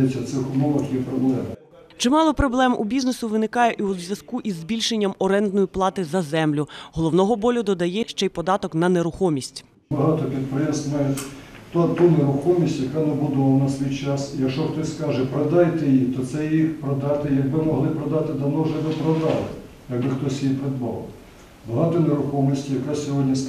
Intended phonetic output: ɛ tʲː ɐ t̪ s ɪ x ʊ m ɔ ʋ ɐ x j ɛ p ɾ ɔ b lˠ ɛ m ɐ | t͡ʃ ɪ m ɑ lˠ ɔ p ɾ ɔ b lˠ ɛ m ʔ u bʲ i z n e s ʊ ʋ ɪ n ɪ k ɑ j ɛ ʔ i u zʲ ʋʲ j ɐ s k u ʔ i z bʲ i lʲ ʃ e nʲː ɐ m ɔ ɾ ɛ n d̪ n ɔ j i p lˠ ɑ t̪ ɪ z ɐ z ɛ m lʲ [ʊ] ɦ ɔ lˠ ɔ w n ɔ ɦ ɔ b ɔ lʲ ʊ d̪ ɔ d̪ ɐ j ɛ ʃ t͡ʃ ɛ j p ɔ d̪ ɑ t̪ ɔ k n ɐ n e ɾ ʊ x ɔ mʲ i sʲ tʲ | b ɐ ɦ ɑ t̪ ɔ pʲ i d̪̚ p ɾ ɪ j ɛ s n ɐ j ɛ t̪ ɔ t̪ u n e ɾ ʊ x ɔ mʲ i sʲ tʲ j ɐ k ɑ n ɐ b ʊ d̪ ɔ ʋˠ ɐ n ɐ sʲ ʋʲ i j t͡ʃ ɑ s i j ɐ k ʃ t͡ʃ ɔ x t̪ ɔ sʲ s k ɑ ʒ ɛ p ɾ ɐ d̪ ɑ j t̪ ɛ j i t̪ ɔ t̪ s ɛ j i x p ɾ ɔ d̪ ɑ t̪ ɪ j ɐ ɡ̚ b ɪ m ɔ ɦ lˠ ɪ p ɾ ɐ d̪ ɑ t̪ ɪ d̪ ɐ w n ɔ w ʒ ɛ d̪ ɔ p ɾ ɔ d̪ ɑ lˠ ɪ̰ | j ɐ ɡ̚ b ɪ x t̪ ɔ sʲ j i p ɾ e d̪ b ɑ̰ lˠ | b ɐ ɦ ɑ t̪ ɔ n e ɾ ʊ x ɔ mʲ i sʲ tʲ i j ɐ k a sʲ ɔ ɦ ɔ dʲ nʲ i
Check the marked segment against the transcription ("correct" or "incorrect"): correct